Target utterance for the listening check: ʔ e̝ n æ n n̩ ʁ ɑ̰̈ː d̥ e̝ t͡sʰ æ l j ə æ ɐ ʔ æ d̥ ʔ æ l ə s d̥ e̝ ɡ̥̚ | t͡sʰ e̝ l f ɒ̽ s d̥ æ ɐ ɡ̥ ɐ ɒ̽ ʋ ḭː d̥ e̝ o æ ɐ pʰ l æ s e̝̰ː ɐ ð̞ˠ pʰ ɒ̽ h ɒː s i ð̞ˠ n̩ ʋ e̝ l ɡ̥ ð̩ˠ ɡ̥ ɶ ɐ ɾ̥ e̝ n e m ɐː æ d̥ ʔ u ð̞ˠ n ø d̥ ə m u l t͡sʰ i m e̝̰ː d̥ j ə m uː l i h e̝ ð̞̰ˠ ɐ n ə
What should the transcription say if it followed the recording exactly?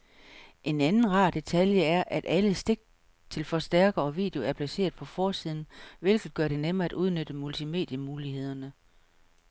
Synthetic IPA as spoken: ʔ e̝ n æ n n̩ ʁ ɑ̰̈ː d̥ e̝ t͡sʰ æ l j ə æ ɐ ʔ æ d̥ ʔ æ l ə s d̥ e̝ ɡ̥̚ | t͡sʰ e̝ l f ɒ̽ s d̥ æ ɐ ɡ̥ ɐ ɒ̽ ʋ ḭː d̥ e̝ o æ ɐ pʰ l æ s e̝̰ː ɐ ð̞ˠ pʰ ɒ̽ f ɒː s i ð̞ˠ n̩ ʋ e̝ l ɡ̥ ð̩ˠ ɡ̥ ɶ ɐ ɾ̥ e̝ n e m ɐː æ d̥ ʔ u ð̞ˠ n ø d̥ ə m u l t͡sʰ i m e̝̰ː d̥ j ə m uː l i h e̝ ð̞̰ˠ ɐ n ə